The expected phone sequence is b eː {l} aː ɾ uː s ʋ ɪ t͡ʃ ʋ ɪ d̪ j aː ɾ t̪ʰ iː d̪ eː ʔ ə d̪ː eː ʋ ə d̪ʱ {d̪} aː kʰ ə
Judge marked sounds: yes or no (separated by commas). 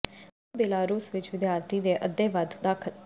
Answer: yes, yes